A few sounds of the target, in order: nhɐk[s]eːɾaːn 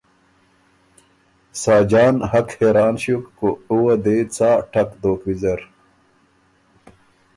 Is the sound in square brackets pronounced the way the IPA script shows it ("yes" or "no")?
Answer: no